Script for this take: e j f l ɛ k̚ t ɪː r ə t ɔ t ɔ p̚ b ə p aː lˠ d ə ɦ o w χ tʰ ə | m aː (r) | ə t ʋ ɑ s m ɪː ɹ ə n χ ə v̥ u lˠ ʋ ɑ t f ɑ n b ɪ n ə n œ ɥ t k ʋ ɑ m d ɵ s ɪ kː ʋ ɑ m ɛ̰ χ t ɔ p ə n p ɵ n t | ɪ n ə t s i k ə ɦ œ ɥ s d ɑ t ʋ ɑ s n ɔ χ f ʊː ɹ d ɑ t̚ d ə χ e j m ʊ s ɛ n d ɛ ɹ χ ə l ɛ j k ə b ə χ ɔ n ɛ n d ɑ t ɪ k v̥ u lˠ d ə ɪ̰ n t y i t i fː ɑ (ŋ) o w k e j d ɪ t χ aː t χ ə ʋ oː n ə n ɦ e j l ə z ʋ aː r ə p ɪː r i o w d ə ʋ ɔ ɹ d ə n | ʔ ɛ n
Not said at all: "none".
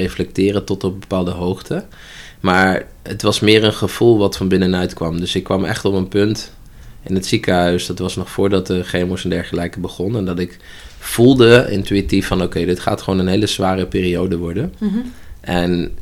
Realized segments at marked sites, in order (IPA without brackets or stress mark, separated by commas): ɹ, n